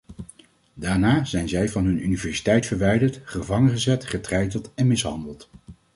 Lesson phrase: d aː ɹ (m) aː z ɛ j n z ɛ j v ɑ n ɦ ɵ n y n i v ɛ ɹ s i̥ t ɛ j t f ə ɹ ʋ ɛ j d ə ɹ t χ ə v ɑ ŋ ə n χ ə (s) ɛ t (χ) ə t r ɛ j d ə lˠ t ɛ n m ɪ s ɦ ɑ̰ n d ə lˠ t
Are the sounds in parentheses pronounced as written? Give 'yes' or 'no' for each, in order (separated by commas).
no, no, yes